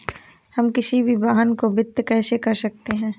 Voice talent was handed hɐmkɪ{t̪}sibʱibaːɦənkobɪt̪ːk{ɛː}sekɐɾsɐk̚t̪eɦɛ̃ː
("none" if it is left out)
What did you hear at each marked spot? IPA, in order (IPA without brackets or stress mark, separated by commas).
none, ɛː